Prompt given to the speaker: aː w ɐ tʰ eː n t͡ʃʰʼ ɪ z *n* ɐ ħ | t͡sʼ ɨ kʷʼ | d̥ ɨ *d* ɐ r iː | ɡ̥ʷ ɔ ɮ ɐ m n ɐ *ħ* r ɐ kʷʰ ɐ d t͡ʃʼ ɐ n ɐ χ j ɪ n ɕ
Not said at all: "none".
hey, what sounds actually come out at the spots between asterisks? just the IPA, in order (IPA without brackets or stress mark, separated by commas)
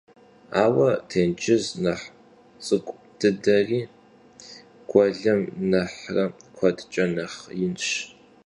n, d, ħ